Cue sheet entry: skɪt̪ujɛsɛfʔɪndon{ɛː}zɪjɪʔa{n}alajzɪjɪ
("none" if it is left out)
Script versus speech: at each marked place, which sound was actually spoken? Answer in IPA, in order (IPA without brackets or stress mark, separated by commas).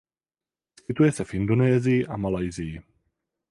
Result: ɛː, m